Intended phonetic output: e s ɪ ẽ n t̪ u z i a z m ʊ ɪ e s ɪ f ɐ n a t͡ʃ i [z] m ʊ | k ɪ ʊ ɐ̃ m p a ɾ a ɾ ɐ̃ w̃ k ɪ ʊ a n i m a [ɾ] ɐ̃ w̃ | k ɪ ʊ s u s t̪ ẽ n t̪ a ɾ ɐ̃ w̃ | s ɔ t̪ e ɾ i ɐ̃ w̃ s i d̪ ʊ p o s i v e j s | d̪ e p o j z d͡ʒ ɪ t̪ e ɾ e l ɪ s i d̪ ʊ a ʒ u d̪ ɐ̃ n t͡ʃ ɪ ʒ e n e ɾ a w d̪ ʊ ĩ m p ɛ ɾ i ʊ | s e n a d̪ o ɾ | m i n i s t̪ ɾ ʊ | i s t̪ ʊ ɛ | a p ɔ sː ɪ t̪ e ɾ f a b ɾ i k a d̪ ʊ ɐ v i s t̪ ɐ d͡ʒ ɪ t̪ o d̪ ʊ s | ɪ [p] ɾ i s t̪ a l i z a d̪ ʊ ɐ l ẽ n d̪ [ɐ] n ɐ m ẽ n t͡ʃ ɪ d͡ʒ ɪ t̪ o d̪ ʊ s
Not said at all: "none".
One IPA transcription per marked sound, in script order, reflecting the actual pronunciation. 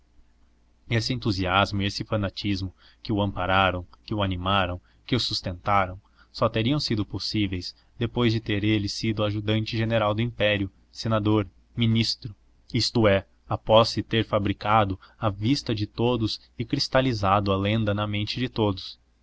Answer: z, ɾ, k, ɐ

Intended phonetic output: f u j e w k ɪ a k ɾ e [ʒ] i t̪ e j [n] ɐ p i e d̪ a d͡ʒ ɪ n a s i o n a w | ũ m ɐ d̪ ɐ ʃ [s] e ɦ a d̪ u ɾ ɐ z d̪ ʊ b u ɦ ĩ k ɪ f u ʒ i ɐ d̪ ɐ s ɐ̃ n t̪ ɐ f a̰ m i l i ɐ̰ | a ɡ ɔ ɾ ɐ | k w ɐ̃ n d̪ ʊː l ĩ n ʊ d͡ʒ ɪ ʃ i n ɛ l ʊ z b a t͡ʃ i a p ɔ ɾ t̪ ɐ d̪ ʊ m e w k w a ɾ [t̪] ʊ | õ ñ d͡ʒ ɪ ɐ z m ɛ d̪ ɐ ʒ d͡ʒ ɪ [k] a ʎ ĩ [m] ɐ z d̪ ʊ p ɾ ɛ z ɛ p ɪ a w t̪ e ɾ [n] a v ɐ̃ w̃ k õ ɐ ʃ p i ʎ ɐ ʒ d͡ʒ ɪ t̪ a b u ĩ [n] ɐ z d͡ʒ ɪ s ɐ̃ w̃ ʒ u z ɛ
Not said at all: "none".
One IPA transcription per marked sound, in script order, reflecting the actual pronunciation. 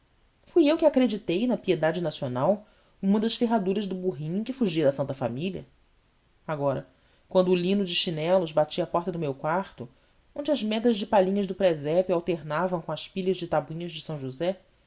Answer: d͡ʒ, n, f, t̪, p, ɲ, n, ɲ

